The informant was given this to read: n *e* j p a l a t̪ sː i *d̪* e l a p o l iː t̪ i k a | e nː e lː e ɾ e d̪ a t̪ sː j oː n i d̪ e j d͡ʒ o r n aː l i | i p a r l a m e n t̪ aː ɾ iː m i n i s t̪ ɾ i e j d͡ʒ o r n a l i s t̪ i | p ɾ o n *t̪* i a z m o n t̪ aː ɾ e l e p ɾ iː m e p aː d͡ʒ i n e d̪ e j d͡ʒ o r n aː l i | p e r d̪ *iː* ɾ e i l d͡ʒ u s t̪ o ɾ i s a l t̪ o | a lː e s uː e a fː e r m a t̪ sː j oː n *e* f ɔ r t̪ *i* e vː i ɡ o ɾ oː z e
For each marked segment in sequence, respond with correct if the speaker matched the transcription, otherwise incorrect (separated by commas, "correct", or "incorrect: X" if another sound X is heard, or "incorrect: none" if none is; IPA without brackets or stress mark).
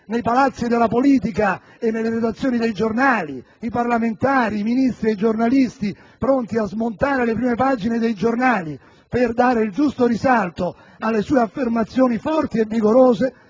correct, correct, correct, incorrect: aː, incorrect: i, correct